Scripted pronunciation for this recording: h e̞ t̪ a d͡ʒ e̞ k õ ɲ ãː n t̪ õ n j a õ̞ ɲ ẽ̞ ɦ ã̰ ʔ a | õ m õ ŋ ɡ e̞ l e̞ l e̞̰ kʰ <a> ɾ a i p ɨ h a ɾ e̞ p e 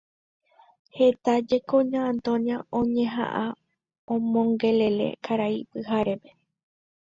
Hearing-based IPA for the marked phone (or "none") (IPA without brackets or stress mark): a